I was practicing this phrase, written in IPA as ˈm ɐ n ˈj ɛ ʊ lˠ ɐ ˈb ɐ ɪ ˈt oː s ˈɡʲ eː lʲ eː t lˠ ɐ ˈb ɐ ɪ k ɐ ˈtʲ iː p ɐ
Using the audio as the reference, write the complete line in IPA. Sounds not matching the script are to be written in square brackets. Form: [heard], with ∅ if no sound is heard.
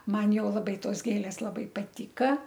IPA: ˈm ɐ n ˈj ɛ ʊ lˠ ɐ ˈb ɐ ɪ ˈt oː s ˈɡʲ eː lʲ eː [s] lˠ ɐ ˈb ɐ ɪ [p] ɐ ˈtʲ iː [k] ɐ